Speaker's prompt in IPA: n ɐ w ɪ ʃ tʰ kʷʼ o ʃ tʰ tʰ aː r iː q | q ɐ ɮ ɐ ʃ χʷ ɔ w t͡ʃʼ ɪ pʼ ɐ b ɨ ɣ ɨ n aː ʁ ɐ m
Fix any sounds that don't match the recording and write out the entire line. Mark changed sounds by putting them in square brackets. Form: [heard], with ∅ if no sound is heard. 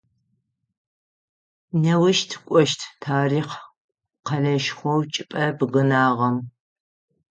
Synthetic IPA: n ɐ w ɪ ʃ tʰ kʷʼ [ɔ] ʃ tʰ tʰ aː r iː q | q ɐ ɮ ɐ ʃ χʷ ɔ w t͡ʃʼ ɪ pʼ ɐ b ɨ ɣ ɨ n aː ʁ ɐ m

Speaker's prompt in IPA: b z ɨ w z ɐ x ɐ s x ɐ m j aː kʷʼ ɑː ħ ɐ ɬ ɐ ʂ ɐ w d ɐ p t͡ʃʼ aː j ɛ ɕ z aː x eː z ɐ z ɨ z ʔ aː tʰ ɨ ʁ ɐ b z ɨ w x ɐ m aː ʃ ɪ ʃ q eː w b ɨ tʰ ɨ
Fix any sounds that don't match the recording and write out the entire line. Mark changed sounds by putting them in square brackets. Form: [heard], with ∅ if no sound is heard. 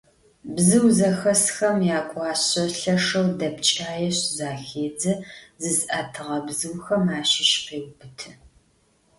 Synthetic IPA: b z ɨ w z ɐ x ɐ s x ɐ m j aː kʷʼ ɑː [ɕ] ɐ ɬ ɐ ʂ ɐ w d ɐ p t͡ʃʼ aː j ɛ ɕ z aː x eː [d͡z] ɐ z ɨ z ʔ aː tʰ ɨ ʁ ɐ b z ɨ w x ɐ m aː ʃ ɪ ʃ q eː w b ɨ tʰ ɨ

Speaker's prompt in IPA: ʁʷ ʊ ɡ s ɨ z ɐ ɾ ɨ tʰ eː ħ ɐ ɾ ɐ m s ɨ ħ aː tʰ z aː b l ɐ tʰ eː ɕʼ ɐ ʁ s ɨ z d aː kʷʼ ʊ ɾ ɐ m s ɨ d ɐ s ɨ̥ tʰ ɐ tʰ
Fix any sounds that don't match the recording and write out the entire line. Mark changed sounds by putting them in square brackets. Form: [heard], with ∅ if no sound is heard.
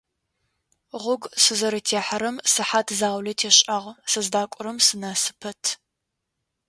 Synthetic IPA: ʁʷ ʊ ɡ s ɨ z ɐ ɾ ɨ tʰ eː ħ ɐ ɾ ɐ m s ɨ ħ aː tʰ z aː [w] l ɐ tʰ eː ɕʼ ɐ ʁ s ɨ z d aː kʷʼ ʊ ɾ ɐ m s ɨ [n] ɐ s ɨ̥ [pʰ] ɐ tʰ

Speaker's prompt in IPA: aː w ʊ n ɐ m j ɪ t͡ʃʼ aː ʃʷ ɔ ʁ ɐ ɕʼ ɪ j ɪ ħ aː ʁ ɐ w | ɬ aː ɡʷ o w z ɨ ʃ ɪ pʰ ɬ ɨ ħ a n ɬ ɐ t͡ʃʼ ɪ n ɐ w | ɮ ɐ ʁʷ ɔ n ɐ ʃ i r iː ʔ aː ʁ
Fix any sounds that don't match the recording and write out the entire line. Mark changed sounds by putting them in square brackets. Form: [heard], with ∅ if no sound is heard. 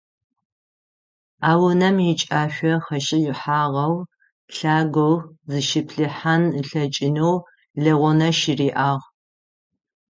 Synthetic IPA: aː w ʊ n ɐ m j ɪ t͡ʃʼ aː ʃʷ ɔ [χ] ɐ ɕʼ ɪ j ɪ ħ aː ʁ ɐ w | ɬ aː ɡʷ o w z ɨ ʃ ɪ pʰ ɬ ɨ ħ a n ɬ ɐ t͡ʃʼ ɪ n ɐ w | ɮ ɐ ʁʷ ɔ n ɐ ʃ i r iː ʔ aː ʁ

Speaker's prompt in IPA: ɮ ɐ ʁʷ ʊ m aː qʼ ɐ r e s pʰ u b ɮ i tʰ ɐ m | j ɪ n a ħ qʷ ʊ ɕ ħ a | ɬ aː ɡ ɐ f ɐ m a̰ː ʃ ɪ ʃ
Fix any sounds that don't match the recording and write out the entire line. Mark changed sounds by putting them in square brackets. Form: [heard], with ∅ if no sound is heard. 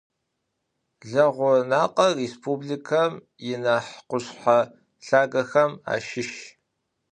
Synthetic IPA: ɮ ɐ ʁʷ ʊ [n] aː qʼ ɐ r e s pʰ u b ɮ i [kʰ] ɐ m | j ɪ n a ħ qʷ ʊ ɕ ħ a | ɬ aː ɡ ɐ [x] ɐ m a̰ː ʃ ɪ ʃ

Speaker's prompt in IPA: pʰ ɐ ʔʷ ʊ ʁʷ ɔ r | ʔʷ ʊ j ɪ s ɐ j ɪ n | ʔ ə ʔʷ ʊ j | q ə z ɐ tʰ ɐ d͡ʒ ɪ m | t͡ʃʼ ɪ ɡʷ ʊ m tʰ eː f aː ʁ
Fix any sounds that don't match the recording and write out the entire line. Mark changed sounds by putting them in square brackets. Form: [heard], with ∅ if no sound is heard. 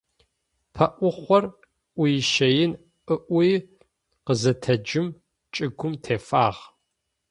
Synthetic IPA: pʰ ɐ ʔʷ ʊ [χʷ] ɔ r | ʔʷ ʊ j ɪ [ʃ] ɐ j ɪ n | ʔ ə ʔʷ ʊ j | q ə z ɐ tʰ ɐ d͡ʒ ɪ m | t͡ʃʼ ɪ ɡʷ ʊ m tʰ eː f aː ʁ

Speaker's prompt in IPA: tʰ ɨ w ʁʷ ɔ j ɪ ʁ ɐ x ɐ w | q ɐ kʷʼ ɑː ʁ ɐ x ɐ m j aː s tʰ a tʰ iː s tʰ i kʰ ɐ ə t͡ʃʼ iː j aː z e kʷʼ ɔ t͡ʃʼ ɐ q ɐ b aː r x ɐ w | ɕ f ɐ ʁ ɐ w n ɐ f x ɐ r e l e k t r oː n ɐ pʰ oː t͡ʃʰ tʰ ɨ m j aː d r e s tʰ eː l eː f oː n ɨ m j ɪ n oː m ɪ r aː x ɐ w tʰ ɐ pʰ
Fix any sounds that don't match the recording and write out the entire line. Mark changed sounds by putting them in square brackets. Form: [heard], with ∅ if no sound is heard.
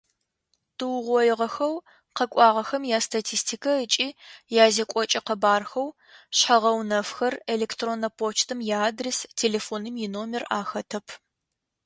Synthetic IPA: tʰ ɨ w ʁʷ ɔ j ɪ ʁ ɐ x ɐ w | q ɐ kʷʼ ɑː ʁ ɐ x ɐ m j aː s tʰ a tʰ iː s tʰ i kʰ ɐ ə t͡ʃʼ iː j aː z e kʷʼ ɔ t͡ʃʼ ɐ q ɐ b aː r x ɐ w | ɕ [ħ] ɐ ʁ ɐ w n ɐ f x ɐ r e l e k t r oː n ɐ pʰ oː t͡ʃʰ tʰ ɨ m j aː d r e s tʰ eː l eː f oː n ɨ m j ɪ n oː m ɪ r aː x ɐ [∅] tʰ ɐ pʰ

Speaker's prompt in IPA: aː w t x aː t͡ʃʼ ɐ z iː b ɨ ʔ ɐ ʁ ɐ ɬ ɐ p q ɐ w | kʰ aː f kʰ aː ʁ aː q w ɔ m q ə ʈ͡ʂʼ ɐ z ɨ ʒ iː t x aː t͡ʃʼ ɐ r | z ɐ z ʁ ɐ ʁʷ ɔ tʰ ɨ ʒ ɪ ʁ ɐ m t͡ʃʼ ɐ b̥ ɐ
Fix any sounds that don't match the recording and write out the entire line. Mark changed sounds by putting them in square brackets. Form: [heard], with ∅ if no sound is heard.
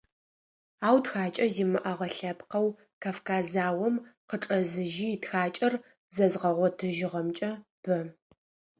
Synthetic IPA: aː w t x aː t͡ʃʼ ɐ z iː [m] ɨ ʔ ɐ ʁ ɐ ɬ ɐ p q ɐ w | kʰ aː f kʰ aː [z] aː [∅] w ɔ m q ə ʈ͡ʂʼ ɐ z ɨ ʒ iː t x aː t͡ʃʼ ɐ r | z ɐ z ʁ ɐ ʁʷ ɔ tʰ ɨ ʒ ɪ ʁ ɐ m t͡ʃʼ ɐ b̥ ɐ

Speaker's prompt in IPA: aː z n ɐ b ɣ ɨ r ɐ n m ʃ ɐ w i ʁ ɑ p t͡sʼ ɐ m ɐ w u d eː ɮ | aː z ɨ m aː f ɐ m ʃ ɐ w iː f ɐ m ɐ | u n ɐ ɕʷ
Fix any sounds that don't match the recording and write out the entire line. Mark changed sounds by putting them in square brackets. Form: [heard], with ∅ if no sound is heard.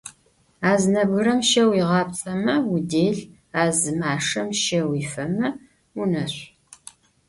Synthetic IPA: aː z n ɐ b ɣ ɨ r ɐ [∅] m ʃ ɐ w i ʁ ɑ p t͡sʼ ɐ m ɐ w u d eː ɮ | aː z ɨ m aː [ʂ] ɐ m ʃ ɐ w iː f ɐ m ɐ | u n ɐ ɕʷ

